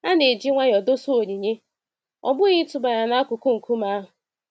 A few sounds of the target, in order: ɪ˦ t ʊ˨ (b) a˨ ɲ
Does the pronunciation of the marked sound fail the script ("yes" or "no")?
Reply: no